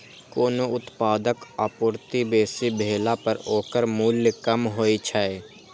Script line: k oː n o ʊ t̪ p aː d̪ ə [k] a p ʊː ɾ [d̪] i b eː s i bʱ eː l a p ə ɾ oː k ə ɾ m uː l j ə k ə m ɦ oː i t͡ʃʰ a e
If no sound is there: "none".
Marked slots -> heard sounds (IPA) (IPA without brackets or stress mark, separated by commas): k, t̪